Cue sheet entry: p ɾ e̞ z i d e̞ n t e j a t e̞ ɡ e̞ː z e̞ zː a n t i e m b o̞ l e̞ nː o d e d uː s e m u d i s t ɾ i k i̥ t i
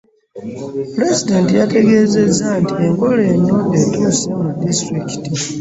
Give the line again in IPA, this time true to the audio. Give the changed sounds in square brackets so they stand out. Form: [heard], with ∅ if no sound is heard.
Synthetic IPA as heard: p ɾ e̞ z i d e̞ n t [i] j a t e̞ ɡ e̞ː z e̞ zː a n t i e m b o̞ l e̞ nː o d e [t] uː s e m u d i s t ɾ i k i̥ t i